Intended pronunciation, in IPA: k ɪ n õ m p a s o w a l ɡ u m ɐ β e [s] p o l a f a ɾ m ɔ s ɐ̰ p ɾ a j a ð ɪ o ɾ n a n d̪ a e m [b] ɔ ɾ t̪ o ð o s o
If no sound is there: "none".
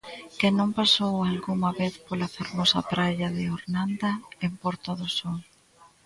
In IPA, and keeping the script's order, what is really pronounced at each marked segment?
θ, p

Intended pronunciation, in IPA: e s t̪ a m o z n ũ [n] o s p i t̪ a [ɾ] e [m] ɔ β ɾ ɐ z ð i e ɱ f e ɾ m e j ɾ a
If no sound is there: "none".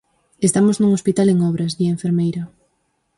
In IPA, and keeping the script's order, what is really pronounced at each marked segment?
ŋ, l, ŋ

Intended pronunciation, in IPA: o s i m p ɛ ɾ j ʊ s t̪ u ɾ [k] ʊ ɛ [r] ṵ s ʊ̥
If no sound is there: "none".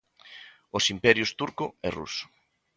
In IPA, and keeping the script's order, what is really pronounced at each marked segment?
k, r

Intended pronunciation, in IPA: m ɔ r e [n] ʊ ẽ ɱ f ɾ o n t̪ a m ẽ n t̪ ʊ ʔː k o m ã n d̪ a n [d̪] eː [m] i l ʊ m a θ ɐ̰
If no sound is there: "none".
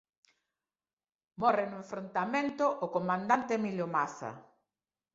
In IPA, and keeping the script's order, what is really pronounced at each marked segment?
n, t̪, m

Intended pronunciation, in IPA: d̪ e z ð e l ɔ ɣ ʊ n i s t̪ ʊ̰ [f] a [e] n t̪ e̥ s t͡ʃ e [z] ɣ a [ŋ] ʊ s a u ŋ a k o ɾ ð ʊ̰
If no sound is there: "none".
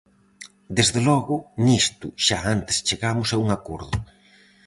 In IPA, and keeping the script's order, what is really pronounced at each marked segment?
ʃ, a, none, m

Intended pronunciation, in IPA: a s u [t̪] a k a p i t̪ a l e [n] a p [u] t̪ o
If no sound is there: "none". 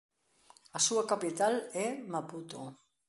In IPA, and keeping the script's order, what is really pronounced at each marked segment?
none, m, u

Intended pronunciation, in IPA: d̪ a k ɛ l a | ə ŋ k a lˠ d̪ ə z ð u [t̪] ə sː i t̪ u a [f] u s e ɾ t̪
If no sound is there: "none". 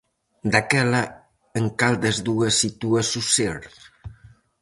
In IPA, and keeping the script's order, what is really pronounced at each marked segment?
none, s

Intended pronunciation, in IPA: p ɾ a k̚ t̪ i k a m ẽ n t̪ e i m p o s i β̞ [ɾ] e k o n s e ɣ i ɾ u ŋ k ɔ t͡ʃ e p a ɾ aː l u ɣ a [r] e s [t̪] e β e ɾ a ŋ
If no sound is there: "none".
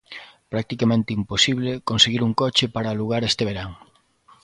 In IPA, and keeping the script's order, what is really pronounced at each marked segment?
l, ɾ, t̪

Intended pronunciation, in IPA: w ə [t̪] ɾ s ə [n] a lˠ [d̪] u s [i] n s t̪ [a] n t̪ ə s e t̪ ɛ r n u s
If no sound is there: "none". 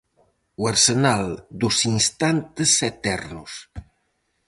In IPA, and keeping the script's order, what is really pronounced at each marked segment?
none, n, d̪, i, a

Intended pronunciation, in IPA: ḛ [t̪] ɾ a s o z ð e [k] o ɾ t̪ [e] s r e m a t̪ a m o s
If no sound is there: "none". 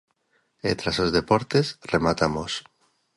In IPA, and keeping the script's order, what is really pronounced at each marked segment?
t̪, p, e

